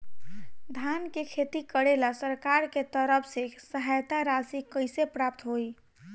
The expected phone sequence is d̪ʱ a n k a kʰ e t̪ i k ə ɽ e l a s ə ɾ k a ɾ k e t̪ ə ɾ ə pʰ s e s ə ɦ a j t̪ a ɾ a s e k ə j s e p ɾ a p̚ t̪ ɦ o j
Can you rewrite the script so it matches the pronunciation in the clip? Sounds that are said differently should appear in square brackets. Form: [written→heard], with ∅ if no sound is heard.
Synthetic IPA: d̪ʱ a n k [a→e] kʰ e t̪ i k ə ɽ e l a s ə ɾ k a ɾ k e t̪ ə ɾ ə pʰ s e s ə ɦ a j t̪ a ɾ a s [e→i] k ə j s e p ɾ a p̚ t̪ ɦ o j